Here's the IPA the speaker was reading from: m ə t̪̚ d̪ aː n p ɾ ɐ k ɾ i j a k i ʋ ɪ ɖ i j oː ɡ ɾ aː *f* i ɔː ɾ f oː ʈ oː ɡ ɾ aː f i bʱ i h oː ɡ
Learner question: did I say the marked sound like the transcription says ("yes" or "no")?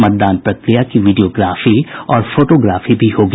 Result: yes